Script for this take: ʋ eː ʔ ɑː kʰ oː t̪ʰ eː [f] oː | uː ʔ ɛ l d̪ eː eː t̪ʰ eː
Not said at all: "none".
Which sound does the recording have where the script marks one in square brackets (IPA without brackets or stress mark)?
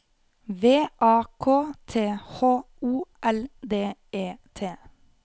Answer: h